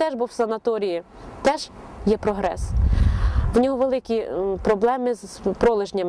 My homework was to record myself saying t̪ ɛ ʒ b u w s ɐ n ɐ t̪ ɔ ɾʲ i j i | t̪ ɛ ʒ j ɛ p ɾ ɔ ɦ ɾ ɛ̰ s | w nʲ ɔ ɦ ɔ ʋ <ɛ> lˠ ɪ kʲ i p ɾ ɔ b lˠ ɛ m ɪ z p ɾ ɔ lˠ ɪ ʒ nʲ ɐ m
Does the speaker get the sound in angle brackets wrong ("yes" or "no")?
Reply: yes